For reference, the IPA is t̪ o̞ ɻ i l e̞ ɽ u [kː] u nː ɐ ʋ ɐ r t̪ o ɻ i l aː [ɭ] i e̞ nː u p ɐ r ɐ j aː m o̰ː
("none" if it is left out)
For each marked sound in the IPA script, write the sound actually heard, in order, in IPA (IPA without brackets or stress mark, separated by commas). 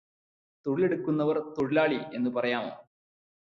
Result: kː, ɭ